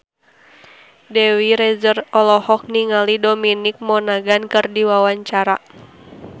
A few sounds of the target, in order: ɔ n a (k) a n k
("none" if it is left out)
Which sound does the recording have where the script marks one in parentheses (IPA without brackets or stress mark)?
ɡ